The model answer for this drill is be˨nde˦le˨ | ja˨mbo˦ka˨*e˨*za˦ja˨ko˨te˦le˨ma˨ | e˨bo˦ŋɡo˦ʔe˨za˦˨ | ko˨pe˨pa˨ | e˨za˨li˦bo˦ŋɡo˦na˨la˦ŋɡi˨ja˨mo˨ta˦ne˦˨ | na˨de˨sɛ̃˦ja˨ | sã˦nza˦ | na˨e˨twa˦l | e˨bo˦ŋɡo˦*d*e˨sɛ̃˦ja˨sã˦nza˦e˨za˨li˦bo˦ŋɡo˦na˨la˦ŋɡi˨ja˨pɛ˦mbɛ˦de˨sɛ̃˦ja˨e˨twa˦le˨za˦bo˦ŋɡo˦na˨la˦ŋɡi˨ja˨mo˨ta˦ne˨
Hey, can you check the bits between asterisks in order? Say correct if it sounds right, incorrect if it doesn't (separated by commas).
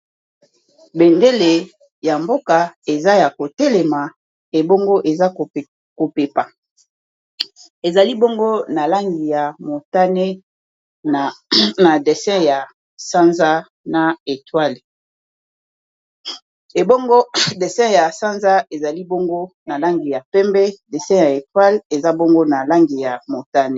correct, correct